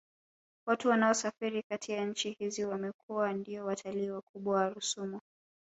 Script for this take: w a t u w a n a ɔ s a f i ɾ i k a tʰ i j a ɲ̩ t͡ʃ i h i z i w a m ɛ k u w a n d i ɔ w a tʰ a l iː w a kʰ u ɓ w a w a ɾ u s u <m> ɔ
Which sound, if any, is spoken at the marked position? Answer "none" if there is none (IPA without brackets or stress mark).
m